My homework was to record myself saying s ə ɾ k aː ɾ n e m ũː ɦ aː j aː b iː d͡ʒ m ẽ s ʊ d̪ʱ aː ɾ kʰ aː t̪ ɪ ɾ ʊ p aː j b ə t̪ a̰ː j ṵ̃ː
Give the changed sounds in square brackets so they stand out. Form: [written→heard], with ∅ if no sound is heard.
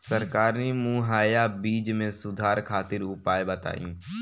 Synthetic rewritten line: s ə ɾ k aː ɾ n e m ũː ɦ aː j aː b iː d͡ʒ m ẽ s ʊ d̪ʱ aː ɾ kʰ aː t̪ ɪ ɾ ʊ p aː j b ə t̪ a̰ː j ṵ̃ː